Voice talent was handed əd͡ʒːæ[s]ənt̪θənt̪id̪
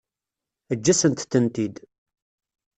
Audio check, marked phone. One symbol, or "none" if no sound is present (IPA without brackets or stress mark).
s